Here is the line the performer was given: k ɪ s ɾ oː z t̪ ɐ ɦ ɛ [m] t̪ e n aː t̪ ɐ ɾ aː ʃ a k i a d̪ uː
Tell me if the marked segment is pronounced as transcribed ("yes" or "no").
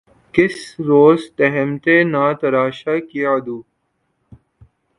yes